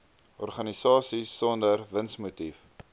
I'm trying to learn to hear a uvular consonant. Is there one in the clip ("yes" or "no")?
yes